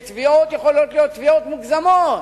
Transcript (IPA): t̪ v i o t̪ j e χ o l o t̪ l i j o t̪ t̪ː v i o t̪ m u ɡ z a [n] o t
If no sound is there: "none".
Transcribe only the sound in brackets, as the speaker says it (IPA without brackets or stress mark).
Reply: m